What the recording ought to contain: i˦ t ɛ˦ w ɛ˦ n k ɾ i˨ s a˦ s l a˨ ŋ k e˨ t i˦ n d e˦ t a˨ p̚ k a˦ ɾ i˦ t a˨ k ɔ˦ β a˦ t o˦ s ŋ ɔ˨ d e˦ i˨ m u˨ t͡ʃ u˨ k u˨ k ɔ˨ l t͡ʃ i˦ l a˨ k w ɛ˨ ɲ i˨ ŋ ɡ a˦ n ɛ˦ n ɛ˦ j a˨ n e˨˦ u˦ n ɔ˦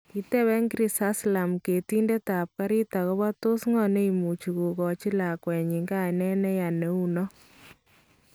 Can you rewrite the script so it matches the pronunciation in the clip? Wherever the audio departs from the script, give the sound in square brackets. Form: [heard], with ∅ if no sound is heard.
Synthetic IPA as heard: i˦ t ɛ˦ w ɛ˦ [ŋ] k ɾ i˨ s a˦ s l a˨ [m] k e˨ t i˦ n d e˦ t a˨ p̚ k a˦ ɾ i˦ t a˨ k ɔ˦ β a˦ t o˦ s ŋ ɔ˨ [n] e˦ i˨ m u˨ t͡ʃ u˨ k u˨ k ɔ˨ [∅] t͡ʃ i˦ l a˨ k w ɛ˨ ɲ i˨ ŋ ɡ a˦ n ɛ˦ n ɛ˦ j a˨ n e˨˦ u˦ n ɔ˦